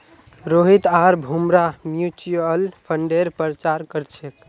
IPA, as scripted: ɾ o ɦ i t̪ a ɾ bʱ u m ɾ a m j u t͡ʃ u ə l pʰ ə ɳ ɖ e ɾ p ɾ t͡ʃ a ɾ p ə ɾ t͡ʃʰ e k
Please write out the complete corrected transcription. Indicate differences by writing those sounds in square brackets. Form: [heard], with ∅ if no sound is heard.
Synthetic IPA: ɾ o ɦ i t̪ a ɾ bʱ u m ɾ a m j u t͡ʃ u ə l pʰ ə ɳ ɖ e ɾ p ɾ t͡ʃ a ɾ [k] ə ɾ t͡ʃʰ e k